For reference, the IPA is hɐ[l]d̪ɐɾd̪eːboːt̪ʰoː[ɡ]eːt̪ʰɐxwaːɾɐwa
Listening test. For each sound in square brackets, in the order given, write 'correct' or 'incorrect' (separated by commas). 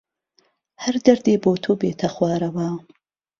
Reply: incorrect, incorrect